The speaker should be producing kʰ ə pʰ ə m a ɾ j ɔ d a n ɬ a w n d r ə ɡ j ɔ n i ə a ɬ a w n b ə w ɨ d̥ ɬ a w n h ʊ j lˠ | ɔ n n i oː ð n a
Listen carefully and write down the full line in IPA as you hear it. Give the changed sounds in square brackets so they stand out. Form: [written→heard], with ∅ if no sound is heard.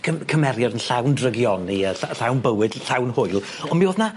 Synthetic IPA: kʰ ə [pʰ→kʰ] ə m [a→ɛ] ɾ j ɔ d [a→ə] n ɬ a w n d r ə ɡ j ɔ n i ə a ɬ a w n b ə w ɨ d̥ ɬ a w n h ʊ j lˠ | ɔ n [n→m] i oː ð n a